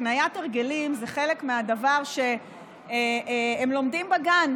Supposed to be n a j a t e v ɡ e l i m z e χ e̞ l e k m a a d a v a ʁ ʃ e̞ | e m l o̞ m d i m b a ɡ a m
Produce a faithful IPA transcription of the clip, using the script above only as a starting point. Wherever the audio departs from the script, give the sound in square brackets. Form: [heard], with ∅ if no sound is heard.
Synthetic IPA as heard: n a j a t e [ʁ] ɡ e l i m z e χ e̞ l e k m [e] a d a v a ʁ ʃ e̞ | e m l o̞ m d i m b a ɡ a [n]